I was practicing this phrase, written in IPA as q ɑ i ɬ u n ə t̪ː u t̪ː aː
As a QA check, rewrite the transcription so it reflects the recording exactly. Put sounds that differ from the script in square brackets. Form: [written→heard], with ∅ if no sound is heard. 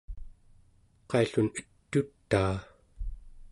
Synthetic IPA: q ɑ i ɬ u n ə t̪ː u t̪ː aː